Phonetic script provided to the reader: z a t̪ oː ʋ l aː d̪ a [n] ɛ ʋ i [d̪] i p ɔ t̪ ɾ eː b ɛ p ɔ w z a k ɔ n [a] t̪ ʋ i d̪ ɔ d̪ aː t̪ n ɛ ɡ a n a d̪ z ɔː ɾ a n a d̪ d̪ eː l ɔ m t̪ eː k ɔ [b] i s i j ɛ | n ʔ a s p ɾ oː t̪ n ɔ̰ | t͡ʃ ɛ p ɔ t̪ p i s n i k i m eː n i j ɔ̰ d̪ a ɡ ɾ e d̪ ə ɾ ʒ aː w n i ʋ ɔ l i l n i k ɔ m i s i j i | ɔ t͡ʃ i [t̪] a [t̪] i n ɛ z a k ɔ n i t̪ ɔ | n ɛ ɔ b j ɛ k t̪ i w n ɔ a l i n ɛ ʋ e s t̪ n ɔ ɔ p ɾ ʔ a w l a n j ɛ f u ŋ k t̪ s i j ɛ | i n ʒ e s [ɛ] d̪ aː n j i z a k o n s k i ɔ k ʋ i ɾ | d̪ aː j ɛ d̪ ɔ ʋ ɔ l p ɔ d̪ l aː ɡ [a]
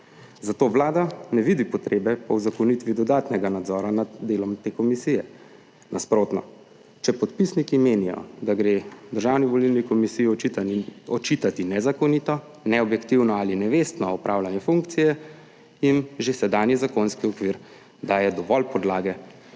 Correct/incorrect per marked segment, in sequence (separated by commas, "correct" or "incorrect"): correct, correct, incorrect, incorrect, correct, correct, correct, incorrect